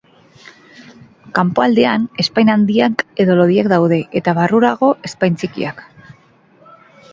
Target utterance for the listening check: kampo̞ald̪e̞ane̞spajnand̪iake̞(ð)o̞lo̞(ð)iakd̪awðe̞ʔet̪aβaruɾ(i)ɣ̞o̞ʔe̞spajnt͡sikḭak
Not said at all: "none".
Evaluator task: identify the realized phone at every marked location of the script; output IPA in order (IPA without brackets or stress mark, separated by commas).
ð, ð, a